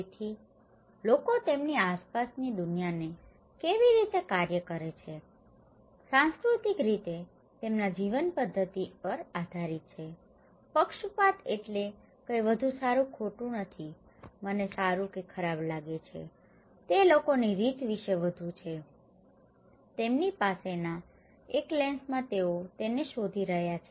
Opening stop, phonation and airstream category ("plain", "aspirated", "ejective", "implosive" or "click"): aspirated